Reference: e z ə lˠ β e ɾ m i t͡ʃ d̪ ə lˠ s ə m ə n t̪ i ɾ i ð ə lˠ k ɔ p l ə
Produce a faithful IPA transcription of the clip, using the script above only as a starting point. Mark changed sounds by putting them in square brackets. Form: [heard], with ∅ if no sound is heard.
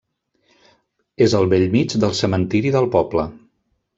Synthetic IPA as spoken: e z ə lˠ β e [ʎ] m i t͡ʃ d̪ ə lˠ s ə m ə n t̪ i ɾ i ð ə lˠ [p] ɔ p l ə